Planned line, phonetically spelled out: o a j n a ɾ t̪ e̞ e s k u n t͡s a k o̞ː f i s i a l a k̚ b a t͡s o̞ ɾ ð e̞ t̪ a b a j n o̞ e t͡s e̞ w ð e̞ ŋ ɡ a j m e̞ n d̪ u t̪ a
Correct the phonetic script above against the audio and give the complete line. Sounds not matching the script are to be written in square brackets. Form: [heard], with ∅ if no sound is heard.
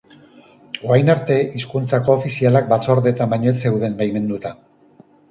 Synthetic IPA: o a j n a ɾ t̪ e̞ [i] s k u n t͡s a k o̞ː f i s i a l a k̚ b a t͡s o̞ ɾ ð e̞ t̪ a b a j [ɲ] o̞ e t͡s e̞ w ð e̞ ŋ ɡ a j m e̞ n d̪ u t̪ a